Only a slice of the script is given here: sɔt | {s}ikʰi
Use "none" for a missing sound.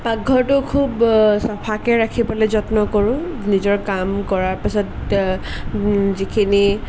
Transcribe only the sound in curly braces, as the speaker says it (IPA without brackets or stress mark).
z